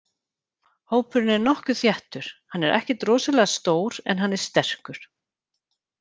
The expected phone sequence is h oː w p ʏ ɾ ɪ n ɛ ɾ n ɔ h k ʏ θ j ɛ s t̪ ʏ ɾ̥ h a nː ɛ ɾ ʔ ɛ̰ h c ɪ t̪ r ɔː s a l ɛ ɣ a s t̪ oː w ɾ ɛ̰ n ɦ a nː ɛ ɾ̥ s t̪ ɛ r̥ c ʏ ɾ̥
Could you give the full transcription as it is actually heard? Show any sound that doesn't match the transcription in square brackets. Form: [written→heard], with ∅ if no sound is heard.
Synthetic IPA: h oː w p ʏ ɾ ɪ n ɛ ɾ n ɔ h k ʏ θ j ɛ [s→h] t̪ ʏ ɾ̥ h a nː ɛ ɾ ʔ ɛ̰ h c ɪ t̪ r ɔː s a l ɛ ɣ a s t̪ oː w ɾ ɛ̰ n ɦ a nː ɛ ɾ̥ s t̪ ɛ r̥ [c→k] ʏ ɾ̥